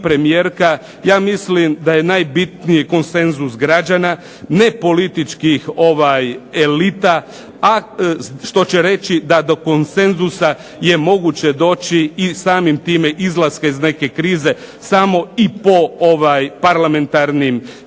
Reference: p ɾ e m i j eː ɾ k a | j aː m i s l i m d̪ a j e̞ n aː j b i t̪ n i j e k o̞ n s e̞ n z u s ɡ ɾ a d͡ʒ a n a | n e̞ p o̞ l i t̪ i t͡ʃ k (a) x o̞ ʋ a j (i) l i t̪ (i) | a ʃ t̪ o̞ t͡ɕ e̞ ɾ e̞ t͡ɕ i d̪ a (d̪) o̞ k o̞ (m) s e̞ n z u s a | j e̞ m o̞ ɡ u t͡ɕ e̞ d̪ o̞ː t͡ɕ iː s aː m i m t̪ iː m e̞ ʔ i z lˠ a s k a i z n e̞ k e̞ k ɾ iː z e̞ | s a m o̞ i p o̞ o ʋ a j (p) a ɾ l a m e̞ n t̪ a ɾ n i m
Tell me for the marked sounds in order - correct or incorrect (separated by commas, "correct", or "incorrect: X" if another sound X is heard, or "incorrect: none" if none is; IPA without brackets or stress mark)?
incorrect: i, incorrect: e, incorrect: a, correct, incorrect: n, correct